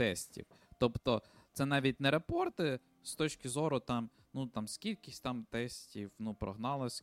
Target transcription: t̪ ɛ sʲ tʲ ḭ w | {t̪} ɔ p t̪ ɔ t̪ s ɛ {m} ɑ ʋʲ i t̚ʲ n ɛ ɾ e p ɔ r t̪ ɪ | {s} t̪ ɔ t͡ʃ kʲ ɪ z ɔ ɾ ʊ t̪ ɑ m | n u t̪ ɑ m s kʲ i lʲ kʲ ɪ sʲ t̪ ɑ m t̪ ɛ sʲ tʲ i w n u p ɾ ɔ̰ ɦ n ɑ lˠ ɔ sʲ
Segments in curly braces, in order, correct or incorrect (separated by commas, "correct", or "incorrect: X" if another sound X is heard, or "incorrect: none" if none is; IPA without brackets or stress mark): correct, incorrect: n, correct